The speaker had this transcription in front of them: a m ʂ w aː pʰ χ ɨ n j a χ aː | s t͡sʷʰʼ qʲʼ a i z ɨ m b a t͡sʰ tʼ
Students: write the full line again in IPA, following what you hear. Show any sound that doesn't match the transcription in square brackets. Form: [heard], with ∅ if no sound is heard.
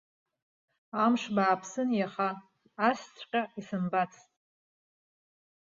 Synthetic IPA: a m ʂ [b] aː pʰ [s] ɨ n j a χ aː | s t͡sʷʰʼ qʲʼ a i [s] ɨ m b a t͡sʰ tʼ